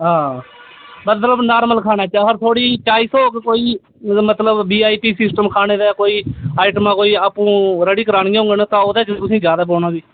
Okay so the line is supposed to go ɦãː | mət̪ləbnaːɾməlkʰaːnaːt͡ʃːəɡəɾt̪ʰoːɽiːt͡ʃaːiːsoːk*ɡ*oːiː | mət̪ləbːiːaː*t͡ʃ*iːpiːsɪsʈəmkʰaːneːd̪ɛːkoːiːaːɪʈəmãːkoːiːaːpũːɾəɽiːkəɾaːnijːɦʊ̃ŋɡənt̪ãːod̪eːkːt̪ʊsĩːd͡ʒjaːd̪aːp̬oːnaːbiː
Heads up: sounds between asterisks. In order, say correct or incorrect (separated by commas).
incorrect, incorrect